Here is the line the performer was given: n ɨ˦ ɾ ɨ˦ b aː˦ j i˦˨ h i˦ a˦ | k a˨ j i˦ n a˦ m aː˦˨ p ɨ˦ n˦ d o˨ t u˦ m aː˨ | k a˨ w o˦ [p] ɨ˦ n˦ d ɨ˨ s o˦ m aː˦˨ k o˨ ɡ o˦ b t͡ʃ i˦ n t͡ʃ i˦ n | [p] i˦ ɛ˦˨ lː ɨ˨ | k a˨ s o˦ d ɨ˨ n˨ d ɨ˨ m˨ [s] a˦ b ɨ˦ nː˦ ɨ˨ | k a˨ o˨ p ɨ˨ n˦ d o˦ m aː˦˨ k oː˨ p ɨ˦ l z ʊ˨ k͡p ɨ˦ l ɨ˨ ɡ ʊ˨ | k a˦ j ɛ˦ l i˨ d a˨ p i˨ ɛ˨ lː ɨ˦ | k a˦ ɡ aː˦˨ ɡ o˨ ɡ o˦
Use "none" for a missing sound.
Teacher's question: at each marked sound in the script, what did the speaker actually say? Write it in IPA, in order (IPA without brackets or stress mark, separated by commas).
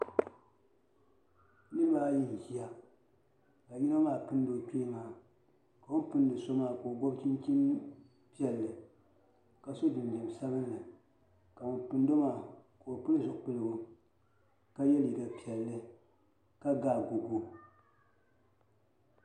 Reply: p, p, s